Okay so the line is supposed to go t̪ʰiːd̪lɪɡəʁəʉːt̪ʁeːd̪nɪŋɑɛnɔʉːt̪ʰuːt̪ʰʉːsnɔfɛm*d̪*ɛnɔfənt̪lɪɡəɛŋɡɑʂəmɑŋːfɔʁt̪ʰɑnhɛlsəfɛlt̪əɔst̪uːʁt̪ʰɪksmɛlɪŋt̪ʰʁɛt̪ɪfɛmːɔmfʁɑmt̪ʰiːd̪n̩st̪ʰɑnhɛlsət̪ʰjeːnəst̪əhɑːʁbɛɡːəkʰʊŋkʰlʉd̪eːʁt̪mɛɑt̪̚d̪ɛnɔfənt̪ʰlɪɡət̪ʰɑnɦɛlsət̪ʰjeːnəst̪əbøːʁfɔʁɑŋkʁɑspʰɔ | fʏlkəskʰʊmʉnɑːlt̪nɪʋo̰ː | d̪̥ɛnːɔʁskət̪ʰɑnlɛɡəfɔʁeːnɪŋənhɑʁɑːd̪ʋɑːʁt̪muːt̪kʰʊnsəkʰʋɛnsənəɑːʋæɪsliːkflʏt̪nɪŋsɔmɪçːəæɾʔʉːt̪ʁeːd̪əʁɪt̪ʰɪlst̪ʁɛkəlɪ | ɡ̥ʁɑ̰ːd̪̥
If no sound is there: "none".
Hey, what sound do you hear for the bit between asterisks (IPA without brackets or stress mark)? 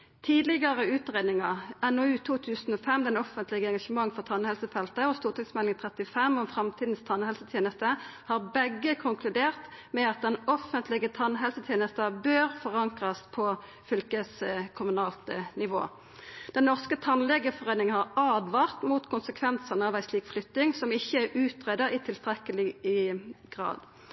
d̪